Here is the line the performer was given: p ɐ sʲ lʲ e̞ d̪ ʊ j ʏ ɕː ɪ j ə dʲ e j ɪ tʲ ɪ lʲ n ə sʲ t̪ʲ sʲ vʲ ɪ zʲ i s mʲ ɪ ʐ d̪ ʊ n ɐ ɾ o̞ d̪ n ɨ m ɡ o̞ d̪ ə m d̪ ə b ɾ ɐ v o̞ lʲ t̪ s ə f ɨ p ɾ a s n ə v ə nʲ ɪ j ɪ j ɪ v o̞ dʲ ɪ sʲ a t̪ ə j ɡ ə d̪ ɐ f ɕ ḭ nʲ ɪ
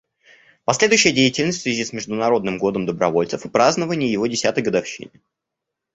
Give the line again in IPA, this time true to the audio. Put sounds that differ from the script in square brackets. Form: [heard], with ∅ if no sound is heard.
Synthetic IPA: p ɐ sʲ lʲ e̞ d̪ ʊ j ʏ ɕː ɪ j ə dʲ e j ɪ tʲ ɪ lʲ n ə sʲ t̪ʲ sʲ vʲ ɪ zʲ i s mʲ ɪ ʐ d̪ ʊ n ɐ ɾ o̞ d̪ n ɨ m ɡ o̞ d̪ ə m d̪ ə b ɾ ɐ v o̞ lʲ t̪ s ə f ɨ p ɾ a [z] n ə v ə nʲ ɪ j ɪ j ɪ v o̞ dʲ ɪ sʲ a t̪ ə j ɡ ə d̪ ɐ f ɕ ḭ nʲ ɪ